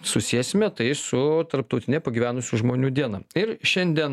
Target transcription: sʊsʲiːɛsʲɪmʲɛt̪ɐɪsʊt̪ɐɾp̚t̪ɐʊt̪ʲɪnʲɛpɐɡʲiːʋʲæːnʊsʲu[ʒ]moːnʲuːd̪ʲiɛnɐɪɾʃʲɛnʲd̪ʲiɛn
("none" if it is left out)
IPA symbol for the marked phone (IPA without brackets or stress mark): ʒ